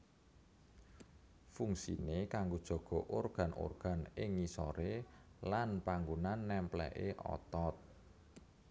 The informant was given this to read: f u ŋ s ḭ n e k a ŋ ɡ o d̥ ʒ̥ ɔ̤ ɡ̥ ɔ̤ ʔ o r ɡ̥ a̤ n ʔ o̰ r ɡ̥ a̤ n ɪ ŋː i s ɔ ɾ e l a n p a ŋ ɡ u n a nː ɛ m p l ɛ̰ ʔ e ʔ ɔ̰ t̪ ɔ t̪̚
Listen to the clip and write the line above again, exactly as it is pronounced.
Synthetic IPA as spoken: f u ŋ s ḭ n e k a ŋ ɡ o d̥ ʒ̥ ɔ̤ ɡ̥ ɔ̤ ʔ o r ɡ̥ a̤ n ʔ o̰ r ɡ̥ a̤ n ɪ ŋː i s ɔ ɾ e l a n p a ŋ ɡ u n a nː ɛ m p l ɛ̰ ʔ e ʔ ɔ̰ t̪ ɔ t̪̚